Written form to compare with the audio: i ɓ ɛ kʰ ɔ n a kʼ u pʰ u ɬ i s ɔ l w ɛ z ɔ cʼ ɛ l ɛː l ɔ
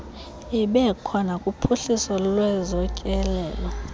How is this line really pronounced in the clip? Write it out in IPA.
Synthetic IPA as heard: i ɓ ɛ kʰ ɔ n a kʼ u pʰ u ɬ i s ɔ l w ɛ z ɔ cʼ ɛ l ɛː l ɔ